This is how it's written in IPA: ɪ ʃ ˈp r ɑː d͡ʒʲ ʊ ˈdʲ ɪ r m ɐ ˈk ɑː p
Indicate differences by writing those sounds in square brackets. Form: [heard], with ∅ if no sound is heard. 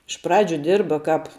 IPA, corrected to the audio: ɪ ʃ ˈp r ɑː d͡ʒʲ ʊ ˈdʲ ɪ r [b] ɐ ˈk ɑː p